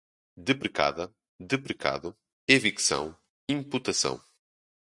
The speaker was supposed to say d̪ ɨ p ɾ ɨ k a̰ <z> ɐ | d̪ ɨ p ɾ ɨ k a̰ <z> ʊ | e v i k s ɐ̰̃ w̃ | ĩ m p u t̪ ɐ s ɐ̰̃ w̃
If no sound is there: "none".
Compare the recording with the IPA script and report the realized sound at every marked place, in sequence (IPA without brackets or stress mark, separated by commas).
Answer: ð, ð